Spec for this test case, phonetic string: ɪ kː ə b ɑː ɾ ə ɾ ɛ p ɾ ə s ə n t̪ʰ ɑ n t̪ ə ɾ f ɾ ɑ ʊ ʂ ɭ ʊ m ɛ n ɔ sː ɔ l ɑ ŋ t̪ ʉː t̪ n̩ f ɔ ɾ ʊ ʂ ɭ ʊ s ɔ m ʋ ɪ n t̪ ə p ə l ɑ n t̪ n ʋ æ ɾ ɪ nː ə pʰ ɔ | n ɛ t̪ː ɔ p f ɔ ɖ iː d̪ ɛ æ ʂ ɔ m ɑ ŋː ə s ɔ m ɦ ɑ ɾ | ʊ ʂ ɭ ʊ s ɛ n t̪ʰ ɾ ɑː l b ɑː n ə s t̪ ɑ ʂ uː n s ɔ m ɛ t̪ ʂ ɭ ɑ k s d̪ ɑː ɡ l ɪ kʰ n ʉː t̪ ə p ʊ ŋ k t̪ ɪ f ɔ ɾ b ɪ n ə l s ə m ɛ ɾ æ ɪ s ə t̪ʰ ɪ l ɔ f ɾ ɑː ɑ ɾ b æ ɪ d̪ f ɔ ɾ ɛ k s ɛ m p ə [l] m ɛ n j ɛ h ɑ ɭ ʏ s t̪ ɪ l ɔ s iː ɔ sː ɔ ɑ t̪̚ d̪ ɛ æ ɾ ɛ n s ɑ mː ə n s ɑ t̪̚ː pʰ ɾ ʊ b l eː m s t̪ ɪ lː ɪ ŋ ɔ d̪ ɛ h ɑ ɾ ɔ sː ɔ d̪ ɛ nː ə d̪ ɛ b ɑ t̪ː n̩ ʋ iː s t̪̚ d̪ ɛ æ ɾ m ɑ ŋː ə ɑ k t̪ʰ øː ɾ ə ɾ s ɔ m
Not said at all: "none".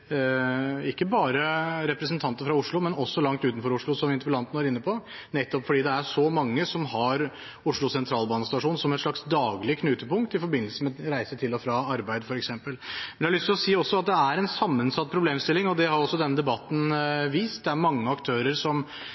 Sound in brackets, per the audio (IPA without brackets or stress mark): l